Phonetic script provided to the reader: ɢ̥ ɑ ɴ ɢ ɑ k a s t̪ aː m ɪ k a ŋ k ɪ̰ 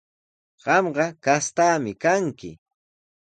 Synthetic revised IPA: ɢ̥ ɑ m ɢ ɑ k a s t̪ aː m ɪ k a ŋ k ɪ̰